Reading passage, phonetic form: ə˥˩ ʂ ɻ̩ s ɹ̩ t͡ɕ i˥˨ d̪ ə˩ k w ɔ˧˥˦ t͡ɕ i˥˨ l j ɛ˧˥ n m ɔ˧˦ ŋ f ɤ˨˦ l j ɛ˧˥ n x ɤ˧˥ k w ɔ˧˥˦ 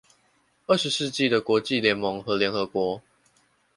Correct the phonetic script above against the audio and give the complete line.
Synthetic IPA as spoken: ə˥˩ ʂ ɻ̩ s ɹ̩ t͡ɕ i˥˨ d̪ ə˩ k w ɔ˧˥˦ t͡ɕ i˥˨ l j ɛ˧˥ n m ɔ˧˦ ŋ x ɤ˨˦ l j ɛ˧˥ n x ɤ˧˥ k w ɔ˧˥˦